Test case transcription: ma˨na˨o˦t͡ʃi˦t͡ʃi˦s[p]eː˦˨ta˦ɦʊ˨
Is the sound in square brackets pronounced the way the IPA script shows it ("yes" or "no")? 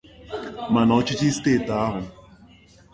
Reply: no